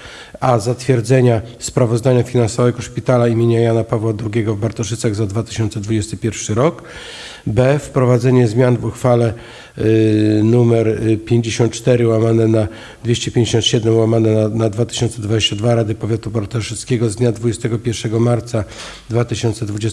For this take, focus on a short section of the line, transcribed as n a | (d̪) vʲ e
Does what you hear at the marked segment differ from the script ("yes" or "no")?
no